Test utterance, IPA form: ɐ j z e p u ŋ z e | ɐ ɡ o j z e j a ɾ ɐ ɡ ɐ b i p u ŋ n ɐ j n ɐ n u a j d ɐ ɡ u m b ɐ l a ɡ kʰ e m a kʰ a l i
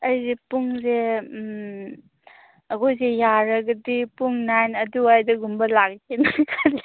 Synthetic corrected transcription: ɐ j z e p u ŋ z e | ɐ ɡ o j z e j a ɾ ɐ ɡ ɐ d i p u ŋ n a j n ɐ d u a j d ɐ ɡ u m b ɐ l a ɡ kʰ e n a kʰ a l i